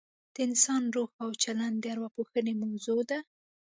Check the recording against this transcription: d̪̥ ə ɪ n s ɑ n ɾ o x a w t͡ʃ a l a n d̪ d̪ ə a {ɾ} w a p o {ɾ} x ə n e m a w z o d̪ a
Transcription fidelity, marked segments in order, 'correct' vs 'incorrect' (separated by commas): correct, incorrect